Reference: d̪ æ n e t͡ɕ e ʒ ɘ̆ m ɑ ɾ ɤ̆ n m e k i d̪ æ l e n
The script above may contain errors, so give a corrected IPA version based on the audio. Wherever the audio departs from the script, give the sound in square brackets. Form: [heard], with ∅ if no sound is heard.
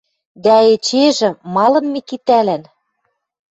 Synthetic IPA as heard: d̪ æ [∅] e t͡ɕ e ʒ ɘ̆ m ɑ [l] ɤ̆ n m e k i [t̪] æ l [æ] n